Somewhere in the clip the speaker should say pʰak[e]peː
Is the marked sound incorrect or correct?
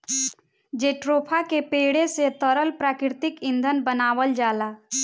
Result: correct